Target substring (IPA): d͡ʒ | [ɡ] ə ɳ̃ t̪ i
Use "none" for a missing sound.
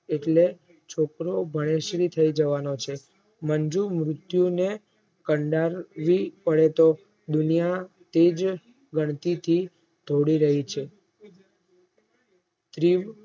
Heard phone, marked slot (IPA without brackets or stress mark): ɡ